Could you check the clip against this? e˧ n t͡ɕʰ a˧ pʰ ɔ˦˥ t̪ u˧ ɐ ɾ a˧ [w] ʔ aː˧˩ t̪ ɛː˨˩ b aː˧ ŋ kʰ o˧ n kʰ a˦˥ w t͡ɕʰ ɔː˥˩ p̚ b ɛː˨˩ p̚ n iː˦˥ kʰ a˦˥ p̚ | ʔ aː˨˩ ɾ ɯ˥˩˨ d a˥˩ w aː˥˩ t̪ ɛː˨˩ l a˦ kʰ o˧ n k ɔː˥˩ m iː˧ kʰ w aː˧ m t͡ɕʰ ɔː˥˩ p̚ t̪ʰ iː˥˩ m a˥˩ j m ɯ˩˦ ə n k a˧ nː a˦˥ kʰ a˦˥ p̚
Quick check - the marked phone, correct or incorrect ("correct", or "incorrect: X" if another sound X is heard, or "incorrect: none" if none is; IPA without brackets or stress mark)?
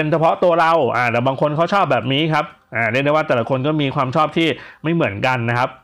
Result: correct